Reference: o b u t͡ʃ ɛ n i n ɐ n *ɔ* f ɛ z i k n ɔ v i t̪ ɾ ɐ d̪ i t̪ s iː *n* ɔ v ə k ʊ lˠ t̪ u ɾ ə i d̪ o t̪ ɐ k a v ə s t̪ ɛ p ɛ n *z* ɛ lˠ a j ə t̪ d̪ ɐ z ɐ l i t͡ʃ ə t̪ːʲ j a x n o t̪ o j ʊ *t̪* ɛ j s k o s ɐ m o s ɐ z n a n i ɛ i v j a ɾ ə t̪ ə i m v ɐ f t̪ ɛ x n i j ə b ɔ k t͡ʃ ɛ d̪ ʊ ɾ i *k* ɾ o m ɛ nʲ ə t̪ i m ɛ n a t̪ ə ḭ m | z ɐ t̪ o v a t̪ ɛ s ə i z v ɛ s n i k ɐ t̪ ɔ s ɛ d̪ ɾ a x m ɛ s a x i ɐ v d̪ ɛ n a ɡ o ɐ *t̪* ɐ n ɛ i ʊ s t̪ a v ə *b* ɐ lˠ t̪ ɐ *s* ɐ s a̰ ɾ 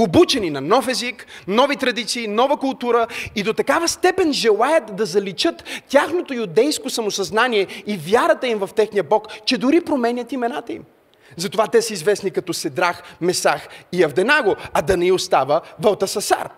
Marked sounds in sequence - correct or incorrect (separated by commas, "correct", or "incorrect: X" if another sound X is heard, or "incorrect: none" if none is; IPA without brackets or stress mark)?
correct, correct, incorrect: ʒ, incorrect: d̪, incorrect: p, incorrect: d̪, incorrect: v, correct